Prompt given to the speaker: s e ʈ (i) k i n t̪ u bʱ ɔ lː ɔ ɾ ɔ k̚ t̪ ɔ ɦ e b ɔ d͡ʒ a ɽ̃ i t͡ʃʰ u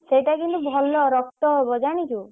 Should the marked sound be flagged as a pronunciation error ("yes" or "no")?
yes